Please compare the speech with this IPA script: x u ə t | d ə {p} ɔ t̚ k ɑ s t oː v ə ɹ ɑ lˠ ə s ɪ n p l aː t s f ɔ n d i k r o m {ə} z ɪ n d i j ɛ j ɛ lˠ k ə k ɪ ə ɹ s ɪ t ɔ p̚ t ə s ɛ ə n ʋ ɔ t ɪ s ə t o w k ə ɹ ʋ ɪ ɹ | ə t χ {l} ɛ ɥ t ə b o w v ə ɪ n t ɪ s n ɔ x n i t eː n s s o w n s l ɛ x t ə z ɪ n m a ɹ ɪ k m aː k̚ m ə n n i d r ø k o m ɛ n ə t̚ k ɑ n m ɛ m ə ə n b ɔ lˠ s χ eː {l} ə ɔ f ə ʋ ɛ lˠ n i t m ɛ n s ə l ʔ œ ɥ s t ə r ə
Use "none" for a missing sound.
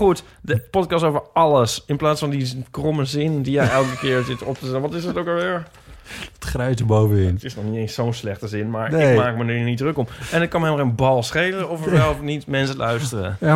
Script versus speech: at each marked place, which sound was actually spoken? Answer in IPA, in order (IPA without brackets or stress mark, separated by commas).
p, ə, r, l